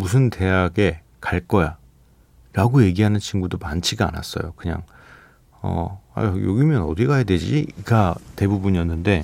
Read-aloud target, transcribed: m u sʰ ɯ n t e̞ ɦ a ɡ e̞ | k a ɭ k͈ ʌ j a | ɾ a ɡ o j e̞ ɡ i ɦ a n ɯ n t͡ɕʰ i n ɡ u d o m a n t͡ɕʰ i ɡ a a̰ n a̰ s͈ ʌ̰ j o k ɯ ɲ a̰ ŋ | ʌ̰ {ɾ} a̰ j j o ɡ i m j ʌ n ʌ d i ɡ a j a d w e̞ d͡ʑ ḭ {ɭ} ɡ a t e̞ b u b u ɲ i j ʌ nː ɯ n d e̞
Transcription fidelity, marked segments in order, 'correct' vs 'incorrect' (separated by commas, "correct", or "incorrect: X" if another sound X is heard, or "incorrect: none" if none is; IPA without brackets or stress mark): incorrect: none, incorrect: none